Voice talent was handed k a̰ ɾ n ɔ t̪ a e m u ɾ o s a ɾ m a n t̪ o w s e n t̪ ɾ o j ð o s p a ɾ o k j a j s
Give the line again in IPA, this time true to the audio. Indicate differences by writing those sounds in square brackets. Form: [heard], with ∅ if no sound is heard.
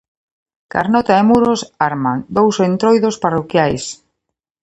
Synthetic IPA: k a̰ ɾ n ɔ t̪ a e m u ɾ o s a ɾ m a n [d̪] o w s e n t̪ ɾ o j ð o s p a [r] o k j a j s